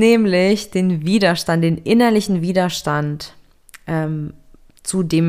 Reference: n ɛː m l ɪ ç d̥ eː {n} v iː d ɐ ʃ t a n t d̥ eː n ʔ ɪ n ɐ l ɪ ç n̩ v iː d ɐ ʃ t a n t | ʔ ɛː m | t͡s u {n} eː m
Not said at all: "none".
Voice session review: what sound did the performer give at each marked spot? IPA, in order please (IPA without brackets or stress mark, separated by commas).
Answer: n, d